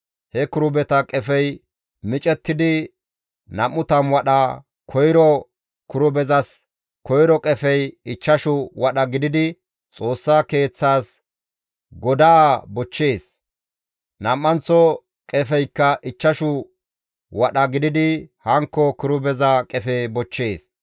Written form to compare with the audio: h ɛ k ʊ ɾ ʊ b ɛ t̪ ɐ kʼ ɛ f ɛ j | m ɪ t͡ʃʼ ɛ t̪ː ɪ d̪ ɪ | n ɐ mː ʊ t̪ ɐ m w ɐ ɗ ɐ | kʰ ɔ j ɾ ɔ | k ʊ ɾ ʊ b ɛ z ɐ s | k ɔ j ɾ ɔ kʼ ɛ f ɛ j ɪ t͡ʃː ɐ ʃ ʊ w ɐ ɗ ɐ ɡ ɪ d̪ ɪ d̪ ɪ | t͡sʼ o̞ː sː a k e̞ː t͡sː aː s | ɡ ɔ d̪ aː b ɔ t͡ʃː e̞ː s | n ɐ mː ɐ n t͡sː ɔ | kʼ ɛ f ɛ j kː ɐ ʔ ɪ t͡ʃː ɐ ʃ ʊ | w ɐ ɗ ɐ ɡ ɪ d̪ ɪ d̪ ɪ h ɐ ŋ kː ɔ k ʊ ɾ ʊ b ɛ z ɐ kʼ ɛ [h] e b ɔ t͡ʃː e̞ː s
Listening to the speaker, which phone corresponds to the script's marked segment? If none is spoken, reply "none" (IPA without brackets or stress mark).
f